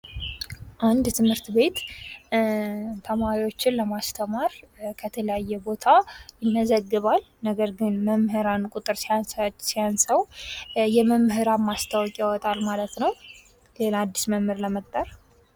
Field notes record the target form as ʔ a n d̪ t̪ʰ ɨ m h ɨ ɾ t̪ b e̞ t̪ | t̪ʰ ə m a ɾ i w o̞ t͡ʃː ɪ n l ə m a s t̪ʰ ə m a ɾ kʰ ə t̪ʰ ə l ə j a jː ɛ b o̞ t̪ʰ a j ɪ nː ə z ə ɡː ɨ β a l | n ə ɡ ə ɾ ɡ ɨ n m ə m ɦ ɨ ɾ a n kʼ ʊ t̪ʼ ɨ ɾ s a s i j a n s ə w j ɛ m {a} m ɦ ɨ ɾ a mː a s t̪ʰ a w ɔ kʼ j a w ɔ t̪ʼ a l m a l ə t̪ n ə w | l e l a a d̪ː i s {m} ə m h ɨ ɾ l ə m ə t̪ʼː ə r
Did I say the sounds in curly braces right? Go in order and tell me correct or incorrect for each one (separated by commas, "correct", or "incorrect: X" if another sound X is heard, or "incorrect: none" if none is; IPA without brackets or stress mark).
incorrect: ə, correct